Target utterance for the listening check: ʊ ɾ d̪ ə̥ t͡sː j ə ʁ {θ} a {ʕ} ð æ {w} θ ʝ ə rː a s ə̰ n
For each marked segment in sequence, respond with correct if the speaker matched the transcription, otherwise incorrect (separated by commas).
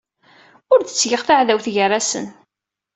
correct, correct, correct